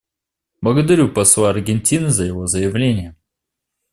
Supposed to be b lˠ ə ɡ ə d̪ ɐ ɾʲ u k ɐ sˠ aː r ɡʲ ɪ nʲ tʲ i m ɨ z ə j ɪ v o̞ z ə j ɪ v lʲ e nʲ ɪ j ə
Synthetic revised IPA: b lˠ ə ɡ ə d̪ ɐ ɾʲ u p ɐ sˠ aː r ɡʲ ɪ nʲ tʲ i n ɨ z ə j ɪ v o̞ z ə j ɪ v lʲ e nʲ ɪ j ə